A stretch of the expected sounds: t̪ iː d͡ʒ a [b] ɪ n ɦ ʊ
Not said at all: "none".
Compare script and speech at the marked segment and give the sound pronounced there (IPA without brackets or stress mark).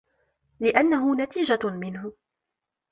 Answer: m